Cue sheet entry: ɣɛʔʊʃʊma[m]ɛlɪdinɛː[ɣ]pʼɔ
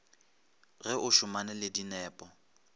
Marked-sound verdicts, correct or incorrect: incorrect: n, incorrect: none

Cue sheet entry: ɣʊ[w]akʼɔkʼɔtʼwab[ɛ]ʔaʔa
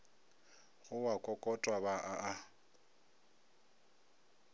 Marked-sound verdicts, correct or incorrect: correct, incorrect: a

